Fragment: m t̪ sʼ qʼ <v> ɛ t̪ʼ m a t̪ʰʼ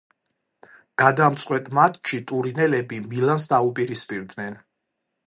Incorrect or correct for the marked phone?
incorrect: w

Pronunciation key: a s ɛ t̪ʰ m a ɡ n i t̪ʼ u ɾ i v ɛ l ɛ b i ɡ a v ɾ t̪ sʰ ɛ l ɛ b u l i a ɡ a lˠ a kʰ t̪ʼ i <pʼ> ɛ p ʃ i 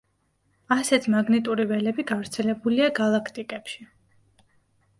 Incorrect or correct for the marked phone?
incorrect: kʼ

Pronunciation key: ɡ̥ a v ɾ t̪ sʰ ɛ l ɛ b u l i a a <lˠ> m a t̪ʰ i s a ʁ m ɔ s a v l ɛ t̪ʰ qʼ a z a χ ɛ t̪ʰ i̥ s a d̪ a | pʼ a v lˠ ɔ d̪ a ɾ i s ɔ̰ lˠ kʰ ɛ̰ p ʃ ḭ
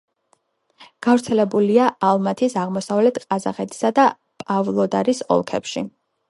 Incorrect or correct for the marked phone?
correct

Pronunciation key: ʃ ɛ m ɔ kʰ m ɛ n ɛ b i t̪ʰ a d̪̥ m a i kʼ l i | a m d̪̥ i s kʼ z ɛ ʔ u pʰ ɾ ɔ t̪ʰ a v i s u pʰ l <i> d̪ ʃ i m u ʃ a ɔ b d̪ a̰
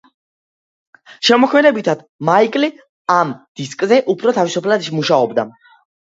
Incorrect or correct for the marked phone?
incorrect: a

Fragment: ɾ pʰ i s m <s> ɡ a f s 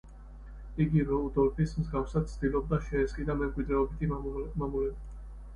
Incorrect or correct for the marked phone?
incorrect: z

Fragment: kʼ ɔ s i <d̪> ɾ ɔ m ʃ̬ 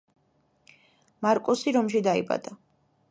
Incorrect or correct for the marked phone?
incorrect: none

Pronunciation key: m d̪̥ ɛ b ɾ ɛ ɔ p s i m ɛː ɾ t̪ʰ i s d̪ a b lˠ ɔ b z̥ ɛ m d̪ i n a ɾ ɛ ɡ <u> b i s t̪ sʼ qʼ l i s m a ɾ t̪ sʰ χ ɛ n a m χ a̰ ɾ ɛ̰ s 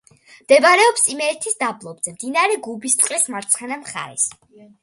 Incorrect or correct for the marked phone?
correct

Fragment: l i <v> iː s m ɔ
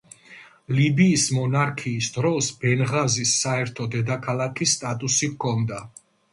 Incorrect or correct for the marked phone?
incorrect: b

